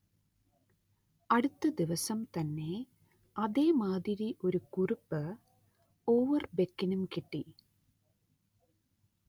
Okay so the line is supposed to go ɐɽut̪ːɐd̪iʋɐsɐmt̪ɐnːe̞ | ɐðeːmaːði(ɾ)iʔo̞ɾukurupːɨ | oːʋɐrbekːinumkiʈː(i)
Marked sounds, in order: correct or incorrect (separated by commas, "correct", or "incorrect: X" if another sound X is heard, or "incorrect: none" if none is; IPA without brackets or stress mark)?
correct, correct